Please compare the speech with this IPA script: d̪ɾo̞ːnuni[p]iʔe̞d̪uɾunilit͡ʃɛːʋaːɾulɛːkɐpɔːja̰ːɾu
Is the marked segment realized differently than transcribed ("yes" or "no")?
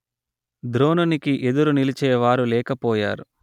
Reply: yes